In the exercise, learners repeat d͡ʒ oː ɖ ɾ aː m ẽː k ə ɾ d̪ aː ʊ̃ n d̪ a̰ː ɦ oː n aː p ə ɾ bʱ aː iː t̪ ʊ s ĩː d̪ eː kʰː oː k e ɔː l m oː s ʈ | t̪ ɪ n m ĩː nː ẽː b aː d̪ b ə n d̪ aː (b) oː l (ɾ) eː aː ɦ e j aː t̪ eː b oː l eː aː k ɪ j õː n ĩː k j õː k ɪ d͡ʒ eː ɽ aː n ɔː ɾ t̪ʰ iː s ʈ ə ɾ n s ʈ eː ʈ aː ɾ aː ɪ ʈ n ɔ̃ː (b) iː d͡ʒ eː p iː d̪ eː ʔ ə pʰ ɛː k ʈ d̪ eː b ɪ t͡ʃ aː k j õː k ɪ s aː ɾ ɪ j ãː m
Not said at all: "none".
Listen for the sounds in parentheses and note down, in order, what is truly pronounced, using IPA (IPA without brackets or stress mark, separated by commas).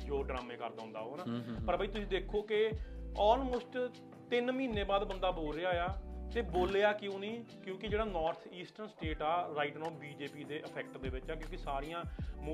b, ɾ, b